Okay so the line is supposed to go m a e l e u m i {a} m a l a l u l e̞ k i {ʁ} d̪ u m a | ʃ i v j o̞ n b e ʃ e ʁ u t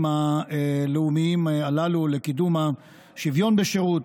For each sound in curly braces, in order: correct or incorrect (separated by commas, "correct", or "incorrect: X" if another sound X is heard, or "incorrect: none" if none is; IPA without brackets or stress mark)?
incorrect: i, incorrect: none